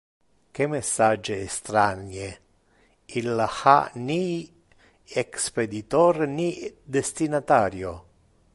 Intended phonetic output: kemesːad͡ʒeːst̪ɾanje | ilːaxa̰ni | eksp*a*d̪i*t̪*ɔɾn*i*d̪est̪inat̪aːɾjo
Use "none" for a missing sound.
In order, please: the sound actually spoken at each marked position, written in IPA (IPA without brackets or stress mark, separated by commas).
e, t̪, i